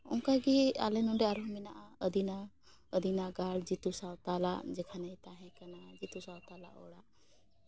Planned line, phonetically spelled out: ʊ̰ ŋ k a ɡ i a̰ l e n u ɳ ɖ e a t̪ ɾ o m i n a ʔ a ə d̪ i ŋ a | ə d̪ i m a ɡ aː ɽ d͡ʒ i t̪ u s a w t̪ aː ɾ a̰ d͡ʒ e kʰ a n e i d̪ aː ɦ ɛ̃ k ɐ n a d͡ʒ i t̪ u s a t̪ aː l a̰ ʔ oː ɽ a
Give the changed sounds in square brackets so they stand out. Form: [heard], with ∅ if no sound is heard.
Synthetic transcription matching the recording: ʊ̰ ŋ k a ɡ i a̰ l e n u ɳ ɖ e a [∅] ɾ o m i n a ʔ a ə d̪ i [n] a | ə d̪ i [n] a ɡ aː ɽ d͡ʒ i t̪ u s a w t̪ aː [l] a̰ d͡ʒ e kʰ a n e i [t̪] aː ɦ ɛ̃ k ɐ n a d͡ʒ i t̪ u s a t̪ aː l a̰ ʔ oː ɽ a